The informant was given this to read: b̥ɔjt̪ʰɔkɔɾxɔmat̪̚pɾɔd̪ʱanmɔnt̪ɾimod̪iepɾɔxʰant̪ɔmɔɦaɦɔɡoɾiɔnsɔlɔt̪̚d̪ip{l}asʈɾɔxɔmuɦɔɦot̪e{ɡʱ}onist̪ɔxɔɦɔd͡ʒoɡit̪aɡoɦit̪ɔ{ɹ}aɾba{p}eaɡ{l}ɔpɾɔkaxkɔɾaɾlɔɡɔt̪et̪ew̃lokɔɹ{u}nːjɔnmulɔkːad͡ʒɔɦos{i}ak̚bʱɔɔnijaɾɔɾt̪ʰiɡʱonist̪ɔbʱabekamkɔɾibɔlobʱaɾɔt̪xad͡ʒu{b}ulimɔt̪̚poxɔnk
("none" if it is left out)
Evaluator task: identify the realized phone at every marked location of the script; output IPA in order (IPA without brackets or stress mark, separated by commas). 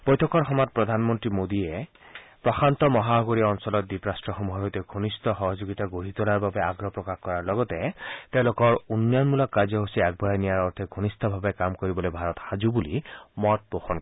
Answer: ɾ, ɡʱ, l, b, ɾ, u, i, b